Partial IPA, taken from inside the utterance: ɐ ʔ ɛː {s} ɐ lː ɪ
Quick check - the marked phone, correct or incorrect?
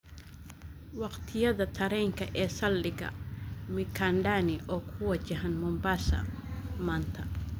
correct